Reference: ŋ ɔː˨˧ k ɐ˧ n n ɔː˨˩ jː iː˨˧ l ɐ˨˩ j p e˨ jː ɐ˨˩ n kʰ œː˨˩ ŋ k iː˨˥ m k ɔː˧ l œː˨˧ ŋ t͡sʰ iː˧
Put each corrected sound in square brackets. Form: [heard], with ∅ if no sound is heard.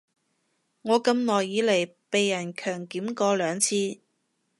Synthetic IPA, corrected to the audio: ŋ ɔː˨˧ k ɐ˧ [m] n ɔː˨˩ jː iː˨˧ l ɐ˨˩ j p e˨ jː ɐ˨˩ n kʰ œː˨˩ ŋ k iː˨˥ m k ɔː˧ l œː˨˧ ŋ t͡sʰ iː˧